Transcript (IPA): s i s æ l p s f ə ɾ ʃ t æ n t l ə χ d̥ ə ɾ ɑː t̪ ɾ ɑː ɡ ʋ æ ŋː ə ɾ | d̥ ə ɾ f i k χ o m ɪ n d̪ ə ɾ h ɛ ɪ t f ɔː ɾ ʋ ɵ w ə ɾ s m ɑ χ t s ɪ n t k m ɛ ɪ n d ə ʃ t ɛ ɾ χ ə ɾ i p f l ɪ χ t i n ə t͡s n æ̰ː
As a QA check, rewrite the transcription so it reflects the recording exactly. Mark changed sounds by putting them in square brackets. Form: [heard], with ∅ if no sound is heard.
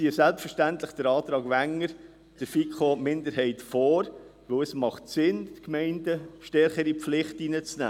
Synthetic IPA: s i s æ l p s f ə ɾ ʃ t æ n t l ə χ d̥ ə ɾ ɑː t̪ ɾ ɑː ɡ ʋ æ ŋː ə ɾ | d̥ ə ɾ f i k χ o m ɪ n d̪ ə ɾ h ɛ ɪ t f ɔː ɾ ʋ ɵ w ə [∅] s m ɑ χ t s ɪ n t k m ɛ ɪ n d ə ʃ t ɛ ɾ χ ə ɾ i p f l ɪ χ t i n ə t͡s n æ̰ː

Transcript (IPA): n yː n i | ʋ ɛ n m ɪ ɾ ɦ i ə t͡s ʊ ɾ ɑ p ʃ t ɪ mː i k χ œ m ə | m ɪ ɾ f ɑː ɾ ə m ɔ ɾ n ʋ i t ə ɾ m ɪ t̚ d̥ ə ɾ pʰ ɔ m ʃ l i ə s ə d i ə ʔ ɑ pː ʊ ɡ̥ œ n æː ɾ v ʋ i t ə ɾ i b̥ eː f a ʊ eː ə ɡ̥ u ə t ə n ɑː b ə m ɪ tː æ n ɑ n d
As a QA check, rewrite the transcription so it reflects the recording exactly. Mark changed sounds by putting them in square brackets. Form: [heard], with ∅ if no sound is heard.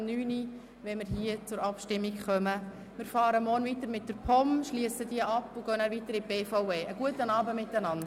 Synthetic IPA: n yː n i | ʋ ɛ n m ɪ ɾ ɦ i ə t͡s ʊ ɾ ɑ p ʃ t ɪ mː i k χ œ m ə | m ɪ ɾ f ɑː ɾ ə m ɔ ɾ n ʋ i t ə ɾ m ɪ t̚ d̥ ə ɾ pʰ ɔ m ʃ l i ə s ə d i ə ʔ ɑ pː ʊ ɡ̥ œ n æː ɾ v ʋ i t ə ɾ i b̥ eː f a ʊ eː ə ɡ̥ u ə t ə n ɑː b ə m ɪ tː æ n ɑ n d

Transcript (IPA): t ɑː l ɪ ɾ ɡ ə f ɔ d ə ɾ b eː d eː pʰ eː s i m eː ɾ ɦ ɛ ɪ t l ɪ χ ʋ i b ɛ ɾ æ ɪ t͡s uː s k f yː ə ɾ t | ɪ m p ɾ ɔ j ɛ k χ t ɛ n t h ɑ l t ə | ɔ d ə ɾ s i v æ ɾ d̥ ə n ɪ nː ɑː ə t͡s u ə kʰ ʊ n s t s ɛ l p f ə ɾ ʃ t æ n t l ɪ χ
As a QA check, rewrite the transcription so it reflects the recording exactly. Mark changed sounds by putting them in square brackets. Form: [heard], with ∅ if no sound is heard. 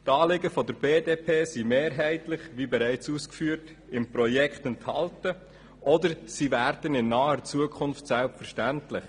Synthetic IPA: t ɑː l ɪ [∅] ɡ ə f ɔ d ə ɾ b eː d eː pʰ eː s i m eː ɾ ɦ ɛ ɪ t l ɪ χ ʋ i b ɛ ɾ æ ɪ t͡s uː s k f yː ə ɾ t | ɪ m p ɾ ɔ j ɛ k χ t ɛ n t h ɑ l t ə | ɔ d ə ɾ s i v æ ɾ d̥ ə n ɪ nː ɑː ə t͡s u ə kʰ ʊ n [f] t s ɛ l p f ə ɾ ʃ t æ n t l ɪ χ

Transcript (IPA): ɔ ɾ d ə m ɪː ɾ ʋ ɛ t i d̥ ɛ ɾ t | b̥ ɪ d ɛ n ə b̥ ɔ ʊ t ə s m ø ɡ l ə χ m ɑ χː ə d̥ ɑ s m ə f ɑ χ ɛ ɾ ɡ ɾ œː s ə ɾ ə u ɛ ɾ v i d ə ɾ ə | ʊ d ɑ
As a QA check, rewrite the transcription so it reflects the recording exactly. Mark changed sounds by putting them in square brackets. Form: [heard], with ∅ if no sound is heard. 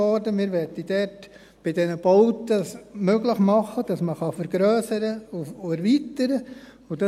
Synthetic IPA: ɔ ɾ d ə m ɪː ɾ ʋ ɛ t i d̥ ɛ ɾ t | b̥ ɪ d ɛ n ə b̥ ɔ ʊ t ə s m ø ɡ l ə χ m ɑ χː ə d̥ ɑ s m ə [χ] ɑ [f] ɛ ɾ ɡ ɾ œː s ə ɾ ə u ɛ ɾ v i [t] ə ɾ ə | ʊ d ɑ

